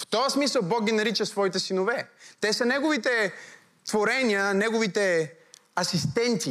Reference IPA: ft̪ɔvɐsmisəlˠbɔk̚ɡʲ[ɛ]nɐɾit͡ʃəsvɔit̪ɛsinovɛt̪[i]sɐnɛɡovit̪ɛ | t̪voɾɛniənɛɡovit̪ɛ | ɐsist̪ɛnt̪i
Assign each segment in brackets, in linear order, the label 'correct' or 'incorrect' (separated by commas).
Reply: incorrect, incorrect